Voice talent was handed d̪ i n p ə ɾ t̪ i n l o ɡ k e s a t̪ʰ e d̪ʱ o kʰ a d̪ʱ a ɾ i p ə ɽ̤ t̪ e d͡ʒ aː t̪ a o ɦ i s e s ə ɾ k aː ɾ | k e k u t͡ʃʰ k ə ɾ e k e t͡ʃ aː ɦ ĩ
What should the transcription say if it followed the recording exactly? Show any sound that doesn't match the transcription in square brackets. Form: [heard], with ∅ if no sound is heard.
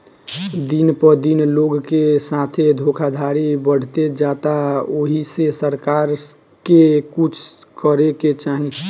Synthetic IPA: d̪ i n p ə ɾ [d̪] i n l o ɡ k e s a t̪ʰ e d̪ʱ o kʰ a d̪ʱ a ɾ i [b] ə ɽ̤ t̪ e d͡ʒ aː t̪ a o ɦ i s e s ə ɾ k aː ɾ | k e k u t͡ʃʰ k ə ɾ e k e t͡ʃ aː ɦ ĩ